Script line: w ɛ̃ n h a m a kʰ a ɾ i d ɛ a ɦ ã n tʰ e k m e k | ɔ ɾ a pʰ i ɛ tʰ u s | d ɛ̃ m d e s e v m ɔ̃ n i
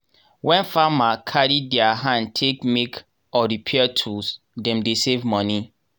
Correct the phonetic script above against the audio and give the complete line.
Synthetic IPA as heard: w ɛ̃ n f a m a kʰ a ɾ i d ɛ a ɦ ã n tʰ e k m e k | ɔ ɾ i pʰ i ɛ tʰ u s | d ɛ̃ m d e s e v m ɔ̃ n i